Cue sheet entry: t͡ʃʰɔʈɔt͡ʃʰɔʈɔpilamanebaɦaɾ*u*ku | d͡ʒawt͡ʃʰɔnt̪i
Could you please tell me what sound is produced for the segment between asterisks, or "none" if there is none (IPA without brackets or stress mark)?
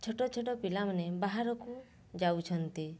ɔ